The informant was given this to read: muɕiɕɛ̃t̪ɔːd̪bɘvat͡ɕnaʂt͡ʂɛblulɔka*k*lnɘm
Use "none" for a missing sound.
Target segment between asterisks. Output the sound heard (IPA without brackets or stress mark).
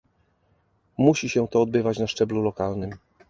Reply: none